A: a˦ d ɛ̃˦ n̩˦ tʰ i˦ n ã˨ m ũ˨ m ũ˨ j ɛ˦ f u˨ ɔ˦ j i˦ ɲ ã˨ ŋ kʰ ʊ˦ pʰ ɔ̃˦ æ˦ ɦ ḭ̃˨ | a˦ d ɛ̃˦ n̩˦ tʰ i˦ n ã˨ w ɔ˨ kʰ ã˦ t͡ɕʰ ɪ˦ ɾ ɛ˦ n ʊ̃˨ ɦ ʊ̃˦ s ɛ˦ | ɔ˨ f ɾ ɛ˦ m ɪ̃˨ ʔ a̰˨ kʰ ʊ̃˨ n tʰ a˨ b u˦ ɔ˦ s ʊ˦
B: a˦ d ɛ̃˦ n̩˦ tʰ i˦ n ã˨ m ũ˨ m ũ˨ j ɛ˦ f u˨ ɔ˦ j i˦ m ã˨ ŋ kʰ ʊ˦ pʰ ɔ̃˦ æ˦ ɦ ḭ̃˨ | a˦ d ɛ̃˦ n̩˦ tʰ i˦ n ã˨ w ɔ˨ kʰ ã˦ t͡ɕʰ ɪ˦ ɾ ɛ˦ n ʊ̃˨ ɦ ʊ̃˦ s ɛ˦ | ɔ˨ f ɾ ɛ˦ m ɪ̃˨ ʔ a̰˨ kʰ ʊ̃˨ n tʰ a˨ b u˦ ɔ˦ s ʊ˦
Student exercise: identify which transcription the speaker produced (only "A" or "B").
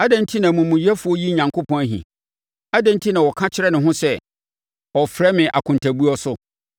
A